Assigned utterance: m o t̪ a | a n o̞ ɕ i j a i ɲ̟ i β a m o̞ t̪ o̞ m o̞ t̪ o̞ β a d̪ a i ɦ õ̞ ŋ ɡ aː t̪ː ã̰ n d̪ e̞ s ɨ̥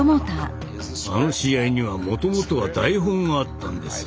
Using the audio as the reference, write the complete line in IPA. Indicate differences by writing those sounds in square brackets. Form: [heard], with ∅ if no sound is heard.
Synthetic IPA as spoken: m o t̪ a | a n o̞ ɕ i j a i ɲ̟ i β a m o̞ t̪ o̞ m o̞ t̪ o̞ β a d̪ a i ɦ õ̞ ŋ ɡ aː t̪ː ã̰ n d̪ e̞ s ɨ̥